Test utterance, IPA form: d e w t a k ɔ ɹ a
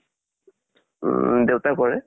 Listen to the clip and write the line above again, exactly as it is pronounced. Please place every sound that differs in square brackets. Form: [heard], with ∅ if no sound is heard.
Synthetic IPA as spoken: d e w t a k ɔ ɹ [ɛ]